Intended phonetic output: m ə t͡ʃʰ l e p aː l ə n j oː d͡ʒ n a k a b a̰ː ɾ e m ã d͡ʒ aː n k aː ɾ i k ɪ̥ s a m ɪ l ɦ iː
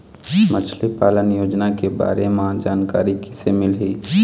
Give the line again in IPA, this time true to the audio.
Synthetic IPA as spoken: m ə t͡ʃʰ l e p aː l ə n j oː d͡ʒ n a k e b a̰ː ɾ e m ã d͡ʒ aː n k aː ɾ i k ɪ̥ s e m ɪ l ɦ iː